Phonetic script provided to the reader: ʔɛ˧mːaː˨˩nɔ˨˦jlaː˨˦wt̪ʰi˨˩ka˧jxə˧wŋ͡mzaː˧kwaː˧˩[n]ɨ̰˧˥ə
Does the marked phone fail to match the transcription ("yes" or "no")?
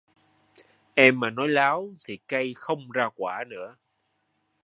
no